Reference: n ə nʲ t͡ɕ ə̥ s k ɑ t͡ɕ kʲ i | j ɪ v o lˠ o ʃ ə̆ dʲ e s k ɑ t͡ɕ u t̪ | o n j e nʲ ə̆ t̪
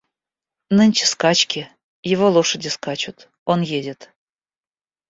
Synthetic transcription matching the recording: n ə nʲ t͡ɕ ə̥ s k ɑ t͡ɕ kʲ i | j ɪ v o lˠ o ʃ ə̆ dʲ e s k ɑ t͡ɕ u t̪ | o n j e dʲ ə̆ t̪